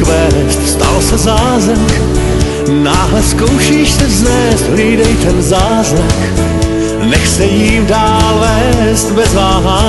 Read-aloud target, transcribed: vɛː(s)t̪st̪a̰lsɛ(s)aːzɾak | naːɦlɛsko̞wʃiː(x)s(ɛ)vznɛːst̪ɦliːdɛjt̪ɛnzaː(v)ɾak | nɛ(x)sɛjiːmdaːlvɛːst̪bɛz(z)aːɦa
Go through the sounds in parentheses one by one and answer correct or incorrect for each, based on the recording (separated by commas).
correct, incorrect, incorrect, correct, incorrect, correct, incorrect